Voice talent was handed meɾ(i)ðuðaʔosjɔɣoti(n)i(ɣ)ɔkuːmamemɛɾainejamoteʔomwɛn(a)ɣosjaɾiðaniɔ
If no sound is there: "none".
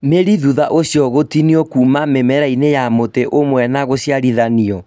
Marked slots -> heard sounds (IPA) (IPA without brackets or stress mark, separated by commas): i, n, none, a